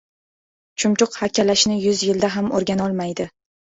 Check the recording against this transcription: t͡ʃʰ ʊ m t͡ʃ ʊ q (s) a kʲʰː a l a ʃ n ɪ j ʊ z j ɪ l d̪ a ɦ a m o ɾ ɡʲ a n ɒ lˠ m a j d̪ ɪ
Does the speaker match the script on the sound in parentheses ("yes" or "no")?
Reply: no